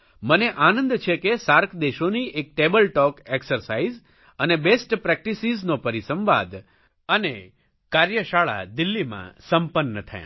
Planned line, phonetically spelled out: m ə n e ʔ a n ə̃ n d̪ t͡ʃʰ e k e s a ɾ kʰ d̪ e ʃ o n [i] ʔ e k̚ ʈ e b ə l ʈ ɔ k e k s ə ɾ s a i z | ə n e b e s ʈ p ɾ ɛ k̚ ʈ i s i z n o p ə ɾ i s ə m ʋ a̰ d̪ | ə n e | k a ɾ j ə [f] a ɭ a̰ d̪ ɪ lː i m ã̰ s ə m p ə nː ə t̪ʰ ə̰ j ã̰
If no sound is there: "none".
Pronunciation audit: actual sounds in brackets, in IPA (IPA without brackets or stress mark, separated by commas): i, ʃ